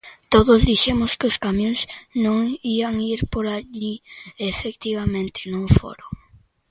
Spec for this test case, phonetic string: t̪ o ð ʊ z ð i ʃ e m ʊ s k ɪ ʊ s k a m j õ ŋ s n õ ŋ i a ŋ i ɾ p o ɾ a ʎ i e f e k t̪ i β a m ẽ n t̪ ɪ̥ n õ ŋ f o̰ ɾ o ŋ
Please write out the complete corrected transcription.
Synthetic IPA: t̪ o ð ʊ z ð i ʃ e m ʊ s k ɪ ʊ s k a m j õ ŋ s n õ ŋ i a ŋ i ɾ p o ɾ a ʎ i e f e k t̪ i β a m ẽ n t̪ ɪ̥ n õ ŋ f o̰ ɾ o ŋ